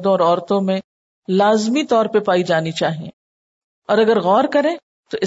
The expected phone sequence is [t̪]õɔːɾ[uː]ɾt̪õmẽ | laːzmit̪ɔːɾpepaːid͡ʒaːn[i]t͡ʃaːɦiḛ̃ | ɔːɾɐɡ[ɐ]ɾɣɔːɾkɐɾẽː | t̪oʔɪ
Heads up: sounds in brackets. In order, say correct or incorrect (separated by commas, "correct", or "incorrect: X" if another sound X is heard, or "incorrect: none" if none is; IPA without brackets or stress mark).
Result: incorrect: d̪, incorrect: ɔː, correct, incorrect: ə